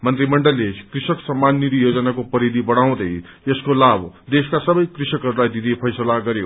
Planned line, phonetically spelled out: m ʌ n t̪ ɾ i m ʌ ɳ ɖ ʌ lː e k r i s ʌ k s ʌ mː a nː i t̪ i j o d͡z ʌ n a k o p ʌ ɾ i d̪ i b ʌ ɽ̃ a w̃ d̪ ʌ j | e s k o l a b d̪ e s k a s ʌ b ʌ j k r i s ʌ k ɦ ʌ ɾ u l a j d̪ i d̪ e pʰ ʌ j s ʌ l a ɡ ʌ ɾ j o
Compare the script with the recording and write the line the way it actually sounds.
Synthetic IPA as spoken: m ʌ n t̪ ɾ i m ʌ ɳ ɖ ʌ lː e k r i s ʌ k s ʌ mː a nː i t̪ i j o d͡z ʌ n a k o p ʌ ɾ i d̪ i b ʌ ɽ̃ a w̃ d̪ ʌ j | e s k o l a b d̪ e s k a s ʌ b ʌ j k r i s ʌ k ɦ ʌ ɾ u l a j d̪ i d̪ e pʰ ʌ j s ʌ l a ɡ ʌ ɾ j o